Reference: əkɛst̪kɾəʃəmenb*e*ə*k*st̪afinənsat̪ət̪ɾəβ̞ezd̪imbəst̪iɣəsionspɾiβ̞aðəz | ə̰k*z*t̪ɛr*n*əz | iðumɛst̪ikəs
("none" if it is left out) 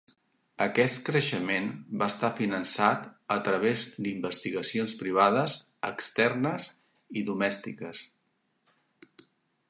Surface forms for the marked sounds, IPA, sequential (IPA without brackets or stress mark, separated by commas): a, none, s, n